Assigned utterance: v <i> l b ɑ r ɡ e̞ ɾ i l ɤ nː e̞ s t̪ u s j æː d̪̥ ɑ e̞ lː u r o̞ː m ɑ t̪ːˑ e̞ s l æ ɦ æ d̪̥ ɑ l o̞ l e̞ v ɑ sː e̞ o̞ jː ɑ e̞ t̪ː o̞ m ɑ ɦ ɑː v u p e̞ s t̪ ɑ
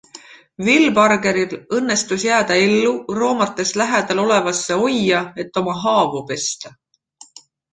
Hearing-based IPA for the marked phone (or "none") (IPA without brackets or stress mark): i